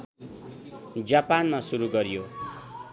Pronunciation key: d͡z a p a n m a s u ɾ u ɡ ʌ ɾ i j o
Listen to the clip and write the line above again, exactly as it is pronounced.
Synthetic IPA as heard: d͡z a p a n m a s u ɾ u ɡ ʌ ɾ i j o

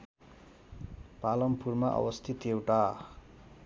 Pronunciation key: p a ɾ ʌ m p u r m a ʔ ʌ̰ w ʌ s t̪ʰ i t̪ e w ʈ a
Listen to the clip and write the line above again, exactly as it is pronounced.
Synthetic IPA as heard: p a l ʌ m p u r m a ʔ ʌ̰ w ʌ s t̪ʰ i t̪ e w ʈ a

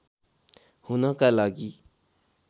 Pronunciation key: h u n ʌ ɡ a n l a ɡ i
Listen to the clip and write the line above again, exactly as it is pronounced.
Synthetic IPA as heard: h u n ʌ k a l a ɡ i

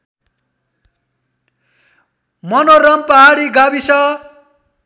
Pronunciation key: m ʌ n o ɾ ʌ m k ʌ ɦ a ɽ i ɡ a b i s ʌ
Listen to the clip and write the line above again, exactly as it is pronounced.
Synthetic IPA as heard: m ʌ n o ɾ ʌ m p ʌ ɦ a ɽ i ɡ a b i s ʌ

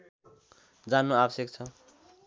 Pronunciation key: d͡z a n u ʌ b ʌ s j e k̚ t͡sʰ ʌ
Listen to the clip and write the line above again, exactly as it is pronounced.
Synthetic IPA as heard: d͡z a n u a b ʌ s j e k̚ t͡sʰ ʌ

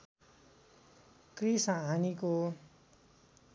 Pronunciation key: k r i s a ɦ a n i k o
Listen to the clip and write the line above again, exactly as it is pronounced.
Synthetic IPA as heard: k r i s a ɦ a n i k o

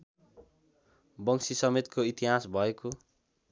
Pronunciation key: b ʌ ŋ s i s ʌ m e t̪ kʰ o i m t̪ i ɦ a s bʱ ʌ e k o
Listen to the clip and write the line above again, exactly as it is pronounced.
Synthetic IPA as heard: b ʌ ŋ s i s ʌ m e t̪ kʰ o i t̪ i ɦ a s bʱ ʌ e k o

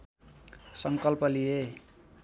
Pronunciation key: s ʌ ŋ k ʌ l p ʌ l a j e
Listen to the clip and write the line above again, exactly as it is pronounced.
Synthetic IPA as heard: s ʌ ŋ k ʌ l p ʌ l i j e

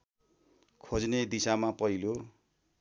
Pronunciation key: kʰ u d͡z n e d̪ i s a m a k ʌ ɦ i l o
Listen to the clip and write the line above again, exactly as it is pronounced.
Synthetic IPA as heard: kʰ o d͡z n e d̪ i s a m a p ʌ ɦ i l o

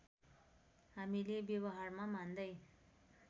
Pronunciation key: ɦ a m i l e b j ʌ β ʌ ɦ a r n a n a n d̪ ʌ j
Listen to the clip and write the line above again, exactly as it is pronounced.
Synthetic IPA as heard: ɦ a m i l e b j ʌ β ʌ ɦ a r m a m a n d̪ ʌ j

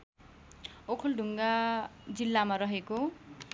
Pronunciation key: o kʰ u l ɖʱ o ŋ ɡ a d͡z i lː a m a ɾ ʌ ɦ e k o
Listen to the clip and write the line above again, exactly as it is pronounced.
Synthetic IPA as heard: o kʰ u l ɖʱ u ŋ ɡ a d͡z i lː a m a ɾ ʌ ɦ e k o

